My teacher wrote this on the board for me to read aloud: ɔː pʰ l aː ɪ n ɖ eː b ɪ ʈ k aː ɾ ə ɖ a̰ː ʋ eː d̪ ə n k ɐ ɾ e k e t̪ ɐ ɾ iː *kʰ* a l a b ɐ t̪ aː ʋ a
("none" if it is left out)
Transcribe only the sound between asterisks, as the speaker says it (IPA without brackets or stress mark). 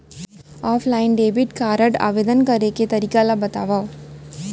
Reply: k